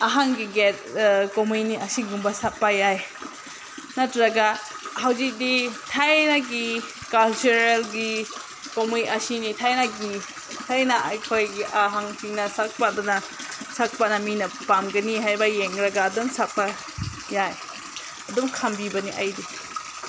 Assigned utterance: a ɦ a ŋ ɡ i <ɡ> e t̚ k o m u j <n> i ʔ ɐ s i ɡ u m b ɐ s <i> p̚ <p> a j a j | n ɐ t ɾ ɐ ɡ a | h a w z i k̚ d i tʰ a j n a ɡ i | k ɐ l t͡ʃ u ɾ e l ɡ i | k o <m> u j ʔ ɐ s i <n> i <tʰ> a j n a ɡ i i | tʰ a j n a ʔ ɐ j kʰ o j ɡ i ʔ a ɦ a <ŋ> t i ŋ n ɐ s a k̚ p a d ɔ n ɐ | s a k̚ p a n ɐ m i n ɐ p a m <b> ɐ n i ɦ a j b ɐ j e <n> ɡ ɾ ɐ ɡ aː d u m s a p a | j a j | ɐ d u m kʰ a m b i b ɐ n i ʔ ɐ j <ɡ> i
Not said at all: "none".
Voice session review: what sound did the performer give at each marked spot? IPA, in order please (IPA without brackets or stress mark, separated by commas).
ɡ, n, a, p, m, n, tʰ, ŋ, ɡ, ŋ, d